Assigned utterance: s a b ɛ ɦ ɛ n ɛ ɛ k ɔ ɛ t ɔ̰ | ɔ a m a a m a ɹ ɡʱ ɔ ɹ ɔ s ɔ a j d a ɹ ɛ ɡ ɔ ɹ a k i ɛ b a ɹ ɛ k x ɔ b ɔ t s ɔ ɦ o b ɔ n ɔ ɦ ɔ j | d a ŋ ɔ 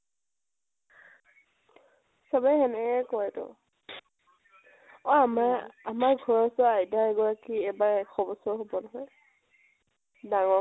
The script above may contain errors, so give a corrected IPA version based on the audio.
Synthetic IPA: s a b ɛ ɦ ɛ n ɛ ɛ k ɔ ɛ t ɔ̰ | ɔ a m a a m a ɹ ɡʱ ɔ ɹ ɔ s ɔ a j d a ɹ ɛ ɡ ɔ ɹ a k i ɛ b a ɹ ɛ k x ɔ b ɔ s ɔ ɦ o b ɔ n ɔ ɦ ɔ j | d a ŋ ɔ